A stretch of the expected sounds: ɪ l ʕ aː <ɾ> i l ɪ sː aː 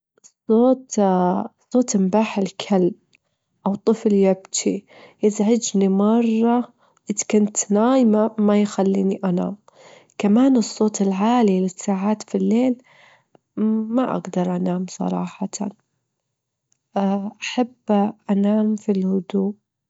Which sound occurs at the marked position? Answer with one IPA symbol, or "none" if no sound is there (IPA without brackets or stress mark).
l